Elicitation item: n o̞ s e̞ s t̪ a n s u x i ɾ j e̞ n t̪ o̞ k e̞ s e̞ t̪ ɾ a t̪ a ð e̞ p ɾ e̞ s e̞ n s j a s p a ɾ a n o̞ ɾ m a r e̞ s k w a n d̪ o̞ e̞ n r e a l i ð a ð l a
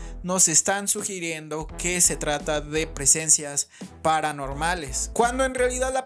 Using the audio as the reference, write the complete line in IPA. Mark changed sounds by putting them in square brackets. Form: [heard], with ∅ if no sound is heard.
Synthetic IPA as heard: n o̞ s e̞ s t̪ a n s u x i ɾ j e̞ n [d̪] o̞ k e̞ s e̞ t̪ ɾ a t̪ a ð e̞ p ɾ e̞ s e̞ n s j a s p a ɾ a n o̞ ɾ m a [l] e̞ s k w a n d̪ o̞ e̞ n r e a l i ð a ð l a